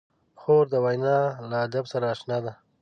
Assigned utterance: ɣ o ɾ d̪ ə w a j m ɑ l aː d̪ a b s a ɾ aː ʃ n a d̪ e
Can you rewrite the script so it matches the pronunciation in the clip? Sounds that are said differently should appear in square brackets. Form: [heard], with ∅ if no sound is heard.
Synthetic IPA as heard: [x] o ɾ d̪ ə w a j [n] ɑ l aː d̪ a b s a ɾ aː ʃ n [ɑ] d̪ [a]